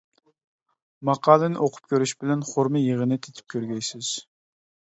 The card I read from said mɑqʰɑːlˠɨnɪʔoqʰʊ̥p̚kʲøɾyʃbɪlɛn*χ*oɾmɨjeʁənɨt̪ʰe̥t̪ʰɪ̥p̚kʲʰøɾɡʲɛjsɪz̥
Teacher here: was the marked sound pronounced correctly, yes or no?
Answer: yes